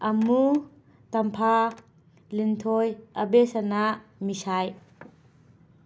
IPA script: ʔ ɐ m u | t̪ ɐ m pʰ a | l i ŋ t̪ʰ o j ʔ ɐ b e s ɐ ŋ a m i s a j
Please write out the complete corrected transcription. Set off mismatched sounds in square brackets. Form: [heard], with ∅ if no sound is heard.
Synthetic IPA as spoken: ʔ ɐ m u | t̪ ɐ m pʰ a | l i [n] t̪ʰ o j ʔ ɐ b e s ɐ [n] a m i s a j

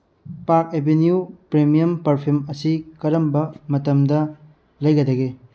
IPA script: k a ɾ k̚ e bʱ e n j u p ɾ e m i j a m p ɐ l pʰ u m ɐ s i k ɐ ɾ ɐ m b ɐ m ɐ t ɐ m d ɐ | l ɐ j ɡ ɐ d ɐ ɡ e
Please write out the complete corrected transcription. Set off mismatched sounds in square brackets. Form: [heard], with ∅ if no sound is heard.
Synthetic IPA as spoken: [p] a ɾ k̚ e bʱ e n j u p ɾ e m i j [ɐ] m p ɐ [ɾ] pʰ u m ɐ s i k ɐ ɾ ɐ m b ɐ m ɐ t ɐ m d ɐ | l ɐ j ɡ ɐ d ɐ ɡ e

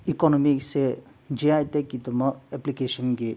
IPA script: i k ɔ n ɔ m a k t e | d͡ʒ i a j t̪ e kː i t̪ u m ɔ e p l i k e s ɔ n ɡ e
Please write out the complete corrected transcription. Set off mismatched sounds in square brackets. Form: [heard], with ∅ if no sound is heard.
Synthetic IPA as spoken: i k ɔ n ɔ m [i] k [s] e | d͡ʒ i a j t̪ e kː i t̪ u m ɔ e p l i k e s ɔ n ɡ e

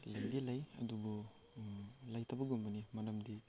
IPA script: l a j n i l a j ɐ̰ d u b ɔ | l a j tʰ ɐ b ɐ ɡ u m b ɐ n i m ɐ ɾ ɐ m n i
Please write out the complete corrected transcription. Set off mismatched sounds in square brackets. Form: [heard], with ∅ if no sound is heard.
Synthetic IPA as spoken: l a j [d] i l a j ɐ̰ d u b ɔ | l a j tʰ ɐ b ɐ ɡ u m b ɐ n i m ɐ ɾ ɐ m [d] i

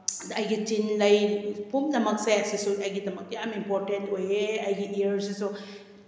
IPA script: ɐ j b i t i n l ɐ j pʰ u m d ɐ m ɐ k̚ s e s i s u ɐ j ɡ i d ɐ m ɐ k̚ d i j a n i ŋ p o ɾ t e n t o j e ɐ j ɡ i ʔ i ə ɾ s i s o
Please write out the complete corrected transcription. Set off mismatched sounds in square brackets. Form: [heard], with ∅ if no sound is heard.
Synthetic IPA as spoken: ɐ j [ɡ] i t i n l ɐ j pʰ u m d ɐ m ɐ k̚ s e s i s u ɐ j ɡ i d ɐ m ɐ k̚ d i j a [m] i [m] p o ɾ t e n t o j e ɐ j ɡ i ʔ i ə ɾ s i s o

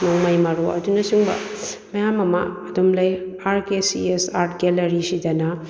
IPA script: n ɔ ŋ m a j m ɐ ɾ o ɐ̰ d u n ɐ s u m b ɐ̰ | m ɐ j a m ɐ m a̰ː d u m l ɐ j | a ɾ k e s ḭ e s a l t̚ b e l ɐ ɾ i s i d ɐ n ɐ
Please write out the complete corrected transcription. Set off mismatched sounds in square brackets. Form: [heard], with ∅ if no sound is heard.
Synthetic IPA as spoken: n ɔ ŋ m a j m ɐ ɾ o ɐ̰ d u n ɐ s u [ŋ] b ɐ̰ | m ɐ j a m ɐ m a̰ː d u m l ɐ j | a ɾ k e s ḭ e s a [ɾ] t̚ [ɡ] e l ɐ ɾ i s i d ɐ n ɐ

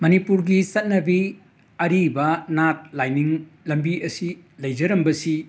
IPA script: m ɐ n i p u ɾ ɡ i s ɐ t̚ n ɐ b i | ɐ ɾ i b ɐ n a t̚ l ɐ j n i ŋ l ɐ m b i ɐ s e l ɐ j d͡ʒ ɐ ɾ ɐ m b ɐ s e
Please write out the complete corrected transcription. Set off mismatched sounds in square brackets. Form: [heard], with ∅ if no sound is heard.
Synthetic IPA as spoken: m ɐ n i p u ɾ ɡ i s ɐ t̚ n ɐ b i | ɐ ɾ i b ɐ n a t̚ l [a] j n i ŋ l ɐ m b i ɐ s [i] l ɐ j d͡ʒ ɐ ɾ ɐ m b ɐ s [i]

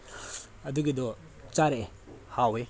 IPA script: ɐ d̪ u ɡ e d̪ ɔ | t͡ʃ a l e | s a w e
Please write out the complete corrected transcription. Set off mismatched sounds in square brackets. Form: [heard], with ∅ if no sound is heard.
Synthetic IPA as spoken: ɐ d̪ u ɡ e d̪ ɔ | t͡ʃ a [ɾ] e | [h] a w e

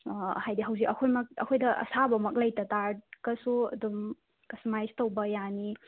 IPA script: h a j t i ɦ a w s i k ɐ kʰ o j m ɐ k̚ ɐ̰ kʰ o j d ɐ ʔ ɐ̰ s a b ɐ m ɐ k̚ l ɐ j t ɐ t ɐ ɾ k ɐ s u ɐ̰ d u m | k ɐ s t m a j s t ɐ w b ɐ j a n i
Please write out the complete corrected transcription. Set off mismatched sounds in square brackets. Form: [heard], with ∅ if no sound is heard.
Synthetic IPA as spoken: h a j [d] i ɦ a w [z] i k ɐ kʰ o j m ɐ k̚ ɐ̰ kʰ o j d ɐ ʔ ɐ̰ s a b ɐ m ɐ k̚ l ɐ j t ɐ t [a] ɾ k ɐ s u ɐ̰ d u m | k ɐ s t m a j s t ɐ w b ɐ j a n i

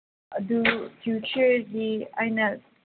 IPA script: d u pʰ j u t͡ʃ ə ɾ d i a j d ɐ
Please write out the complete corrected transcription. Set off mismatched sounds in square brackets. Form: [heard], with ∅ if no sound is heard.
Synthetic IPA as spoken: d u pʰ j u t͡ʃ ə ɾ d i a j [n] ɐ

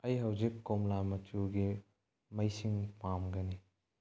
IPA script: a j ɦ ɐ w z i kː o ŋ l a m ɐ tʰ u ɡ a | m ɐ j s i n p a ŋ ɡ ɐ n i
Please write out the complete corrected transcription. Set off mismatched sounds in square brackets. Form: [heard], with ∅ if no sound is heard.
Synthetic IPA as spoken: [ɐ] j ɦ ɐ w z i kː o [m] l a m ɐ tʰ u ɡ [i] | m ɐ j s i [ŋ] p a [m] ɡ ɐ n i

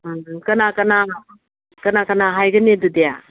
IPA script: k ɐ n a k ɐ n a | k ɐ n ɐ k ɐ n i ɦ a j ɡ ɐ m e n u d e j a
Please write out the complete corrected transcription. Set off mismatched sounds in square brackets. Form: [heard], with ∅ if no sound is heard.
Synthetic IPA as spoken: k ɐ n a k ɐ n a | k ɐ n [a] k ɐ n [a] ɦ a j ɡ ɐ [n] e [d] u d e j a

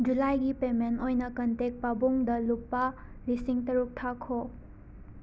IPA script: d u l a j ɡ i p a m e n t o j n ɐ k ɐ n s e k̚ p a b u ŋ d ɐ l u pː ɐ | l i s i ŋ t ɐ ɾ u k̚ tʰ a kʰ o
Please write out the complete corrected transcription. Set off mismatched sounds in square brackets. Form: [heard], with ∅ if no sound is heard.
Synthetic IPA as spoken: [d͡ʒ] u l a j ɡ i p [e] m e n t o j n ɐ k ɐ n [t] e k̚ p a b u ŋ d ɐ l u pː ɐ | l i s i ŋ t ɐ ɾ u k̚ tʰ a kʰ o

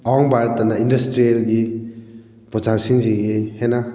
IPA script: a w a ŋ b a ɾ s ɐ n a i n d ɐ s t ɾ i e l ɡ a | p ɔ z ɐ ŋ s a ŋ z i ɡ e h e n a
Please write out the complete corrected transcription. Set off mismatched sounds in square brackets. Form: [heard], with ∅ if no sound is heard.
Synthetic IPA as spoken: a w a ŋ b a ɾ [t] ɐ n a i n d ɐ s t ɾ i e l ɡ [i] | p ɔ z [a] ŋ s [i] ŋ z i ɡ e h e n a

